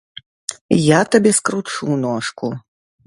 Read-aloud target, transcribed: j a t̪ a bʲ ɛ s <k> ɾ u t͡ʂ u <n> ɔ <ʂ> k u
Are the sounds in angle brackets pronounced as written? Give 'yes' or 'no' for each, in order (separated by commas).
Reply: yes, yes, yes